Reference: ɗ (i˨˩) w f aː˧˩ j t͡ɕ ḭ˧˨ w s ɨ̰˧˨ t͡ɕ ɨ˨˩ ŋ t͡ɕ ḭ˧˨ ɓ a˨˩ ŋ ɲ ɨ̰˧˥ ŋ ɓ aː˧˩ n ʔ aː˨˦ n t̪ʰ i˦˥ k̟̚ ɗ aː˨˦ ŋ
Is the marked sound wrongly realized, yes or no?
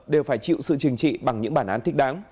yes